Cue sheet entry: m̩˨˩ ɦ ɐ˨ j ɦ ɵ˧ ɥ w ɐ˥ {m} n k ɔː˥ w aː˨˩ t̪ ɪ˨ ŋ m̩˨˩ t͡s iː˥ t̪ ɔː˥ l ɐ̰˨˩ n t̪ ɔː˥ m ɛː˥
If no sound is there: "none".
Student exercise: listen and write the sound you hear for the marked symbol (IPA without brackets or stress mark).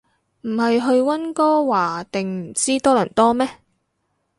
none